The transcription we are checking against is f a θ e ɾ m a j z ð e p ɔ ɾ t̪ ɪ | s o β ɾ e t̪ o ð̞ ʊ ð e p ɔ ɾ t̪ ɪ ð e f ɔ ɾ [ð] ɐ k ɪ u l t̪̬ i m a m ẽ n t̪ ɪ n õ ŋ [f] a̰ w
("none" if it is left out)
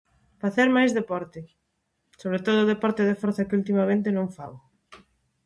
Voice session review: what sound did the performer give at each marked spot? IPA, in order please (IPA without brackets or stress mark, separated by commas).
θ, f